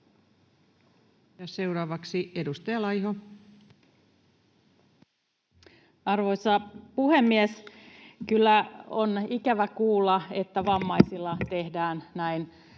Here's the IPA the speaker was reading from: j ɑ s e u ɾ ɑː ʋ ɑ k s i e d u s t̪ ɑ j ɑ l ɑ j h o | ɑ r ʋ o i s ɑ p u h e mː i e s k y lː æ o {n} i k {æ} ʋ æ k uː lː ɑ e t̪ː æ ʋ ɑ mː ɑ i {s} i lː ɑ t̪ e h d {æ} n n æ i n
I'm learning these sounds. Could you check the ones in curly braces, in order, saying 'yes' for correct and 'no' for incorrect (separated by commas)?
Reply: yes, yes, yes, no